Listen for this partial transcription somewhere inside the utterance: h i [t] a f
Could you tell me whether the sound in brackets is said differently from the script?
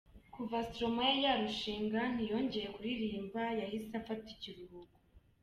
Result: yes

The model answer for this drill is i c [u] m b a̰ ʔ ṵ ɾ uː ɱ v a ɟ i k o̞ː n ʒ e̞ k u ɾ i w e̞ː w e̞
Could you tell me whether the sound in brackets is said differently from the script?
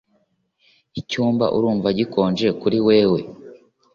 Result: yes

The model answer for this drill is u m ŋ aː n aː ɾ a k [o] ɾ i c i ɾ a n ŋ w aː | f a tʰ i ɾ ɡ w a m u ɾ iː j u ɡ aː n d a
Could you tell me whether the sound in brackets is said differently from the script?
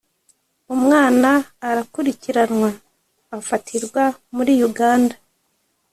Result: yes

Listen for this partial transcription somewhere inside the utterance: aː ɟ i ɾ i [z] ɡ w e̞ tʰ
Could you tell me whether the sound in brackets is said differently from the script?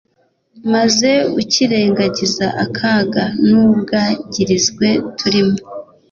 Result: no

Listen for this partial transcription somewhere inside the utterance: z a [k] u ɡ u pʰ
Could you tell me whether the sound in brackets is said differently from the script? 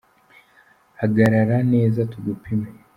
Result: yes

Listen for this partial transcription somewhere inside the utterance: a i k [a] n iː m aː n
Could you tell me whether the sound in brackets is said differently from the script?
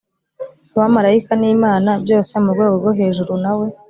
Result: no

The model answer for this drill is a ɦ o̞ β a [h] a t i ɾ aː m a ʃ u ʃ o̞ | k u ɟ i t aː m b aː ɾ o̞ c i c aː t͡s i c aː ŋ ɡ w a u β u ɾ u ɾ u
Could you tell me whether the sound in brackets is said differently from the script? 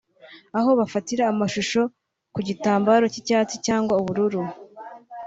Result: yes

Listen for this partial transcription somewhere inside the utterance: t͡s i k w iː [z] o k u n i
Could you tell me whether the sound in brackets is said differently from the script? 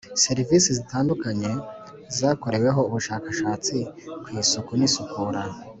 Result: yes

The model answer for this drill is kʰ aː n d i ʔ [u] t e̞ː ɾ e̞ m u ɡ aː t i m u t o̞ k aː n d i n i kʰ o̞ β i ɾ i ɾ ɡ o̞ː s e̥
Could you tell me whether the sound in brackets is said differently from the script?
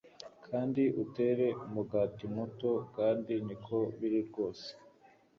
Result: no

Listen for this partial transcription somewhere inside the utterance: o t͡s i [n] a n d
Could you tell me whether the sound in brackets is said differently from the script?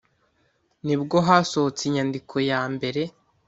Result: yes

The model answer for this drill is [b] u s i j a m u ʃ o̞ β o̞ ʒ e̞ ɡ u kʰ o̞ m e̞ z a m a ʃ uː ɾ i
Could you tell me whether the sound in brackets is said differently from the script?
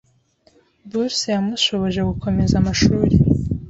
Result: no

